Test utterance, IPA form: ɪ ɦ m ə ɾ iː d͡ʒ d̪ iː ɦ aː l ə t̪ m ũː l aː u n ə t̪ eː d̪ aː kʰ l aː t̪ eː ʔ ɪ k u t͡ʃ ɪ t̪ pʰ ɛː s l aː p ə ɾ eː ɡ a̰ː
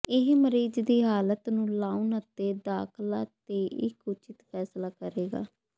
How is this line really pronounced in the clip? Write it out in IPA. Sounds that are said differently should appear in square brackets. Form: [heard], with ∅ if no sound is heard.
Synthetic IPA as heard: ɪ ɦ m ə ɾ iː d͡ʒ d̪ iː ɦ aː l ə t̪ [n] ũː l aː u n ə t̪ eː d̪ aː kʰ l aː t̪ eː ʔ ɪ k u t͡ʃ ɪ t̪ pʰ ɛː s l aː [k] ə ɾ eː ɡ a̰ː